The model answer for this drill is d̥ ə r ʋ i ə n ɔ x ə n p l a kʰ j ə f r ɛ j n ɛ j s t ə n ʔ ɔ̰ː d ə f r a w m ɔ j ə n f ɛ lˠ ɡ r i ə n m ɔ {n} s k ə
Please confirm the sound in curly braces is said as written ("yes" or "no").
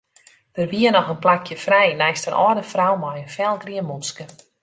yes